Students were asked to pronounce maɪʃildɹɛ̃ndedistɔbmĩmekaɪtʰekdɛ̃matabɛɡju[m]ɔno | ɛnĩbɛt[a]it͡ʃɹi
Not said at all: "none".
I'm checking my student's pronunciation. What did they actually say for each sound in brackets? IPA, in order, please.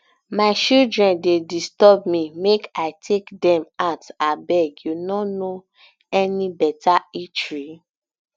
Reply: n, a

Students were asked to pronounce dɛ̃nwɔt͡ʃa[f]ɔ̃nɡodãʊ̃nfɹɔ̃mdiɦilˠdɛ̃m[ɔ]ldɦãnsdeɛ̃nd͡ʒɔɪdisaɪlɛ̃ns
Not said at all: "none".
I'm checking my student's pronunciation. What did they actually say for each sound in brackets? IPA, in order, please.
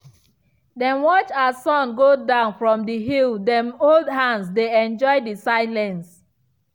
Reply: s, o

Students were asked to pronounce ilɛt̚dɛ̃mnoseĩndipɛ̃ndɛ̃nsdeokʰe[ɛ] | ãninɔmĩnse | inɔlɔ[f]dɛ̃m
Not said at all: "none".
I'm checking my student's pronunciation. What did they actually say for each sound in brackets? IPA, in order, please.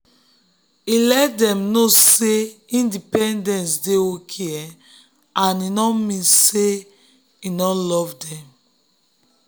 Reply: ɛ, v

